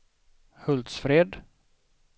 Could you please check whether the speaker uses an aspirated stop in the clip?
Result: no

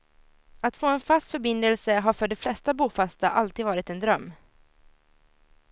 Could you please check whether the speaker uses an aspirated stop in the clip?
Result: no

